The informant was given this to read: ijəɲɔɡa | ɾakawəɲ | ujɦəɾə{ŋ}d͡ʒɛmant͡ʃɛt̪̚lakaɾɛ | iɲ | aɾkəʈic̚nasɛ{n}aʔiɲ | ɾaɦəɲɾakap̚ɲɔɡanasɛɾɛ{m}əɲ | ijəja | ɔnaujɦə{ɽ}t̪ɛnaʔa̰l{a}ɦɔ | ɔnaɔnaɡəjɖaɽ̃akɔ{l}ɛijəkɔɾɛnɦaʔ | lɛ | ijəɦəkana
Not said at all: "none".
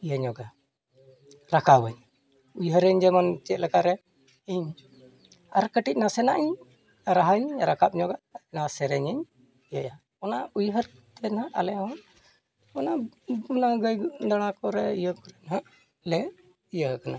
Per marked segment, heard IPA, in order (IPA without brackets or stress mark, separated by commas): ɲ, n, ɲ, ɾ, ɛ, ɾ